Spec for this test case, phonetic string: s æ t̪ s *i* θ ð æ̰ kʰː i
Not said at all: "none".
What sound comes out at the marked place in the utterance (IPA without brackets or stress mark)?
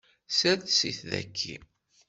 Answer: i